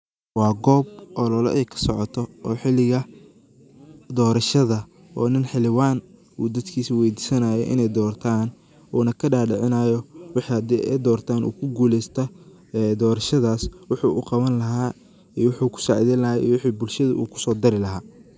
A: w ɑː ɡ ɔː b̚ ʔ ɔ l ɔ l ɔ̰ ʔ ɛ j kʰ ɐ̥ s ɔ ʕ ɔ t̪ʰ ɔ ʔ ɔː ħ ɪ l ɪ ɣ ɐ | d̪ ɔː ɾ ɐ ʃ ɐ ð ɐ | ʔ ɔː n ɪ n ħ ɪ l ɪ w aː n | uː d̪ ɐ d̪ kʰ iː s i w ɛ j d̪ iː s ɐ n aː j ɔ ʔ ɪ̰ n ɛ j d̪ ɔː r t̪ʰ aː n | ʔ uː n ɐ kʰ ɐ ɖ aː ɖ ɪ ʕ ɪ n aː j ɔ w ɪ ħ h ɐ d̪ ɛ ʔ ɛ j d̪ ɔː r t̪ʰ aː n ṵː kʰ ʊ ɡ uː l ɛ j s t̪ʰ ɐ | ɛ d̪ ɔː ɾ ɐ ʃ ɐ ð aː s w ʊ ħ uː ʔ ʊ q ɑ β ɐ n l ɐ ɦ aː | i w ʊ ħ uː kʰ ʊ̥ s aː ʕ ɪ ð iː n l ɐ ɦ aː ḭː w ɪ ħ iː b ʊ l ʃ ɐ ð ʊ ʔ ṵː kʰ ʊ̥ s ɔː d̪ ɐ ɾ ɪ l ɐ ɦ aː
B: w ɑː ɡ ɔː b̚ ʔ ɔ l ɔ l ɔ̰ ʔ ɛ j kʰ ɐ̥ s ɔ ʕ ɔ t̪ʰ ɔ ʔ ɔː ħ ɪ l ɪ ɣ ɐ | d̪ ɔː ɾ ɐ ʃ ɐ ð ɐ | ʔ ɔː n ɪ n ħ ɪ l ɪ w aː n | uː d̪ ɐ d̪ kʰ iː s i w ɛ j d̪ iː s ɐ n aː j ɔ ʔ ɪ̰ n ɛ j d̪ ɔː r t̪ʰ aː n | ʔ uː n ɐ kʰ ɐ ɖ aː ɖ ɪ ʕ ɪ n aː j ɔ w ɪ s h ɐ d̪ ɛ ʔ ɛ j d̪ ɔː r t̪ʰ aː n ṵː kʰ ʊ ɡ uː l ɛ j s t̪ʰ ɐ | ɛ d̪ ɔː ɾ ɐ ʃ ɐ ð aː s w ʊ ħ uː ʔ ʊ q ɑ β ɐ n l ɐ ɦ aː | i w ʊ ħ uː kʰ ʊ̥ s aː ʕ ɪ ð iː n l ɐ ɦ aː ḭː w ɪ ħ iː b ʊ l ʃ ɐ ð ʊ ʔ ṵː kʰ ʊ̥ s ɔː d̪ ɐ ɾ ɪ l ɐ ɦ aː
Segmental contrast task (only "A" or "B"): A